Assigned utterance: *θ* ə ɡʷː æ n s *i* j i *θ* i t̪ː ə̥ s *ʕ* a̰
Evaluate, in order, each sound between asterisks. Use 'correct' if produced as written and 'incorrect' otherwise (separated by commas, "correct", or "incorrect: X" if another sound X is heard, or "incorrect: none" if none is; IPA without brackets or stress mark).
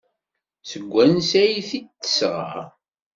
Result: incorrect: s, incorrect: æ, correct, incorrect: ʁ